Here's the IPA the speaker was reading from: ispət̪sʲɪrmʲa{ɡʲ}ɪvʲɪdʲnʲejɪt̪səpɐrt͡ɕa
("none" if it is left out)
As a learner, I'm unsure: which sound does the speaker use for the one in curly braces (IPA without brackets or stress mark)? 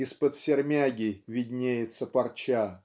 ɡʲ